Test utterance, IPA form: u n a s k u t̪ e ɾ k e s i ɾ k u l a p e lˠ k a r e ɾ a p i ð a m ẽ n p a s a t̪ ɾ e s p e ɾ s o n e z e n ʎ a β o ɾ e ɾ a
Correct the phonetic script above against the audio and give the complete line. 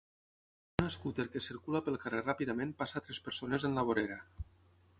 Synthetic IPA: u n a s k u t̪ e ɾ k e s i ɾ k u l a p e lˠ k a r e r a p i ð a m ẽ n p a s a t̪ ɾ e s p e ɾ s o n e z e n l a β o ɾ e ɾ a